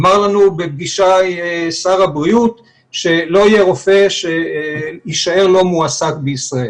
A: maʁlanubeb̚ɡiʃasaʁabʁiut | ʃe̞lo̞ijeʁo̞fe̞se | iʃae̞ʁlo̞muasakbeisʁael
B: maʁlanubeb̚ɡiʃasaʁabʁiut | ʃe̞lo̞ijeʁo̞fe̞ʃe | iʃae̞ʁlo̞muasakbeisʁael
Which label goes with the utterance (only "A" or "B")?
B